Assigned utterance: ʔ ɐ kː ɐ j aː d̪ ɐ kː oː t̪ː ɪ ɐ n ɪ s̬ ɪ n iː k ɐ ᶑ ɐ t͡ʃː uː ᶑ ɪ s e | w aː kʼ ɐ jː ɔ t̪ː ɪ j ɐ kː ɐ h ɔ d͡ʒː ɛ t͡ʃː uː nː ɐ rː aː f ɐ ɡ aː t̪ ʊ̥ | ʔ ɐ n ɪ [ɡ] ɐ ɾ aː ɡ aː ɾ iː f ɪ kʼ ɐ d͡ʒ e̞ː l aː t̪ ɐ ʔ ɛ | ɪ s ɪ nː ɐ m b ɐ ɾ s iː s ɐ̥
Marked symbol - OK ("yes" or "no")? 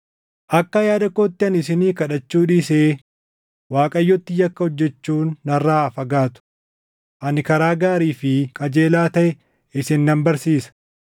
no